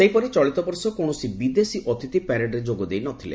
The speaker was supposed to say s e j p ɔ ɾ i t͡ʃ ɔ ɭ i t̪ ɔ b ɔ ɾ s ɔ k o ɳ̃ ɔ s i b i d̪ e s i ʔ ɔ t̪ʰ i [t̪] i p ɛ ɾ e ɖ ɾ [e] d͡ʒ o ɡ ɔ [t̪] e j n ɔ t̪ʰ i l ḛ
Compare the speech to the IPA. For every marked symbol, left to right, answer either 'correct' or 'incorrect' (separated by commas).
correct, correct, incorrect